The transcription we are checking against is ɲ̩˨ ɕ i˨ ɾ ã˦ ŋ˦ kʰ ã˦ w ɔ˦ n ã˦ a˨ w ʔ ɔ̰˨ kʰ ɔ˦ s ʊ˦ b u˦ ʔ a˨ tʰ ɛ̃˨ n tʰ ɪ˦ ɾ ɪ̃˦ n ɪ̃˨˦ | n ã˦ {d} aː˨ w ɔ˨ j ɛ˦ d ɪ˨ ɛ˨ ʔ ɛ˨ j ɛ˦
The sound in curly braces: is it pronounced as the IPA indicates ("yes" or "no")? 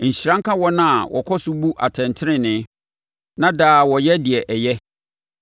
yes